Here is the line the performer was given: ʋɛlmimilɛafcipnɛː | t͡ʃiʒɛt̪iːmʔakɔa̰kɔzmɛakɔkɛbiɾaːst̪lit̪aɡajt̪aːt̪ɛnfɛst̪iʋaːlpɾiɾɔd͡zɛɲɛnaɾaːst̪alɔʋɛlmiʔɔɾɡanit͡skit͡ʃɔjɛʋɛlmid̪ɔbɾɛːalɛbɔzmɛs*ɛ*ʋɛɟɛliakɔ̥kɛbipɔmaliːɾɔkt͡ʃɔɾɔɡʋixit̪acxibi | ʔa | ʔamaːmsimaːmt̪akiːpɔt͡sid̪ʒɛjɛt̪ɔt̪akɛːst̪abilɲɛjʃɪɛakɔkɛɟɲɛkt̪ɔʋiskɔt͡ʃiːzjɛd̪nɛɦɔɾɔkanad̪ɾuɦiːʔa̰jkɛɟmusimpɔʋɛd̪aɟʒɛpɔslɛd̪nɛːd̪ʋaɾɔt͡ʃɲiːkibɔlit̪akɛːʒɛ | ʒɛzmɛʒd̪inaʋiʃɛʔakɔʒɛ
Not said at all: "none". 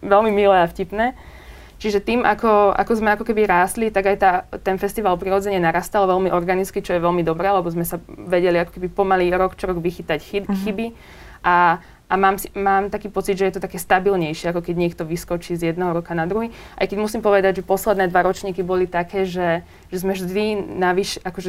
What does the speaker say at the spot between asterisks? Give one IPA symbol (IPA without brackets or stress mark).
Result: a